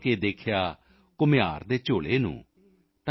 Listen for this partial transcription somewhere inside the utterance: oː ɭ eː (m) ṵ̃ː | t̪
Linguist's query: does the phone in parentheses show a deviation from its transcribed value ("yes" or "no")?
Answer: yes